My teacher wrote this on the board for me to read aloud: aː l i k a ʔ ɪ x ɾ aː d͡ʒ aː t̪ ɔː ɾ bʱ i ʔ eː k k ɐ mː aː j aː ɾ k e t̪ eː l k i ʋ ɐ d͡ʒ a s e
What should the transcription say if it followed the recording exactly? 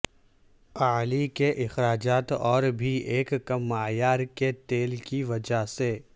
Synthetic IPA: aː l i k e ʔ ɪ x ɾ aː d͡ʒ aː t̪ ɔː ɾ bʱ i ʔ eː k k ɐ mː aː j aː ɾ k e t̪ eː l k i ʋ ɐ d͡ʒ a s e